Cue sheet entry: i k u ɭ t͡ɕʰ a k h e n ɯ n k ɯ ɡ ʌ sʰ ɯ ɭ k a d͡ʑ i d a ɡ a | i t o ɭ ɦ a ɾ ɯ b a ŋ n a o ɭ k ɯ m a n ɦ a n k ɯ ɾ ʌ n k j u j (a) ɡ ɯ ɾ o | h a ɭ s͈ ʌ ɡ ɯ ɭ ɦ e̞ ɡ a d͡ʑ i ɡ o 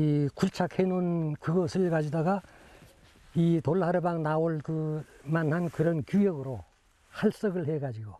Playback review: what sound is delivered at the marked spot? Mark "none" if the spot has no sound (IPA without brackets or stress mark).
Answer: ʌ